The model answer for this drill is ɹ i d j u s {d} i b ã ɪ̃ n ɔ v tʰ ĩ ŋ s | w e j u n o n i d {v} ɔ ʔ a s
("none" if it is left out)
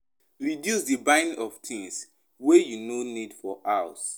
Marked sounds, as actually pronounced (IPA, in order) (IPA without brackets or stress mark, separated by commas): d, f